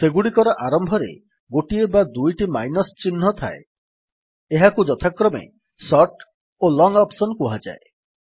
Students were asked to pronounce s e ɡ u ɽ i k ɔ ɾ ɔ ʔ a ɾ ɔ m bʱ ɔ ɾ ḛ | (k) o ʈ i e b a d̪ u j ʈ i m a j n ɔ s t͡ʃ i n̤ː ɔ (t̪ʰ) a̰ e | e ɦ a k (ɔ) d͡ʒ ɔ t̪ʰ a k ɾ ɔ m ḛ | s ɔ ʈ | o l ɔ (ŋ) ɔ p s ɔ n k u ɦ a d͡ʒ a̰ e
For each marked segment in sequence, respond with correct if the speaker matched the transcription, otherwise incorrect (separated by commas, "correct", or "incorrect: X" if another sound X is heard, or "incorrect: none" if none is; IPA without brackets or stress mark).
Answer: incorrect: ɡ, correct, incorrect: u, correct